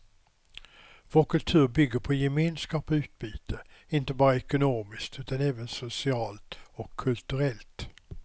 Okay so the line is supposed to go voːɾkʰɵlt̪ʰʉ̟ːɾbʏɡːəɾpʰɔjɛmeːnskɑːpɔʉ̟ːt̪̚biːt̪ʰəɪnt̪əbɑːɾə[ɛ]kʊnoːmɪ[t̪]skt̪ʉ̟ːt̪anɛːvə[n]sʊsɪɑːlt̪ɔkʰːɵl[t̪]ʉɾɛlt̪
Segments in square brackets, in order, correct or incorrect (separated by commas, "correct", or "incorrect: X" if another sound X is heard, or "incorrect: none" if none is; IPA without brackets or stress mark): correct, incorrect: none, correct, correct